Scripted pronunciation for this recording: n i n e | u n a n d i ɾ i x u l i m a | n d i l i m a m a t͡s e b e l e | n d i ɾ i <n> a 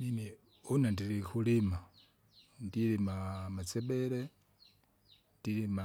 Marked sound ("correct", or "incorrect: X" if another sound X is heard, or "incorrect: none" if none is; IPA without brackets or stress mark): incorrect: m